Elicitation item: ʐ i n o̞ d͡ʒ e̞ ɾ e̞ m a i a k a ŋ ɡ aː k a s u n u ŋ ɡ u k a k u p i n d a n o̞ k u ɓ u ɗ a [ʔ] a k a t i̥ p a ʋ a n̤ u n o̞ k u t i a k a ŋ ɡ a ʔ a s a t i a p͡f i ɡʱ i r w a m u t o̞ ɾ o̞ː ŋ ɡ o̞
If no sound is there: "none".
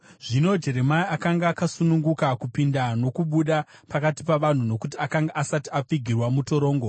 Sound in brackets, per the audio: p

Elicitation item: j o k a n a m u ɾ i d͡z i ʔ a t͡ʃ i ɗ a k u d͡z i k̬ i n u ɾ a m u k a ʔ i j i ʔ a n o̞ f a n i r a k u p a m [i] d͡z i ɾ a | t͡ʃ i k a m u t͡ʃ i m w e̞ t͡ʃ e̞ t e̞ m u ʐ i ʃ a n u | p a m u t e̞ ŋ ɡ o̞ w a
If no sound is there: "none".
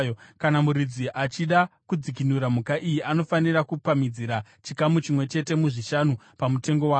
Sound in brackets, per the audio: i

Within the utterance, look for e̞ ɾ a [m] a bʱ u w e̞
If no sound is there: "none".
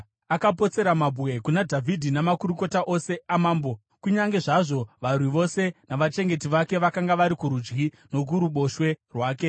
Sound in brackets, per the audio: m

